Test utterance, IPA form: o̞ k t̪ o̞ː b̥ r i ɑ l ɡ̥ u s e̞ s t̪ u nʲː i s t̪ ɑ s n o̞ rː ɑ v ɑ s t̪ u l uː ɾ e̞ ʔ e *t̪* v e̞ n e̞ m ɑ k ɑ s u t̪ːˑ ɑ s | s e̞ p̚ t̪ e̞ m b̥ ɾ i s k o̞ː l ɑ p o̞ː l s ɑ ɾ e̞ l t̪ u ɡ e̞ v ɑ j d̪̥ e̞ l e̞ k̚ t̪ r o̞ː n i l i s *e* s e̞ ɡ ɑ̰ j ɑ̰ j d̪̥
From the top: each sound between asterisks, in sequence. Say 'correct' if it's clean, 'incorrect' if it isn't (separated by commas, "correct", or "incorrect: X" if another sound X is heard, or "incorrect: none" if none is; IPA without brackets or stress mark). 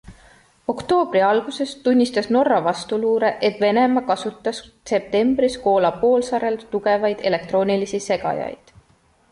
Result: correct, incorrect: i